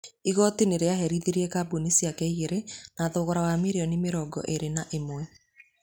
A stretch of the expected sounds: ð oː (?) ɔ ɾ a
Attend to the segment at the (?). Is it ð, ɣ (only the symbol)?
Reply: ɣ